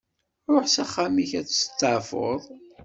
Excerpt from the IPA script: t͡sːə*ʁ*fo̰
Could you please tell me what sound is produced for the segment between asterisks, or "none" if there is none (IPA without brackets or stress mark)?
ʕ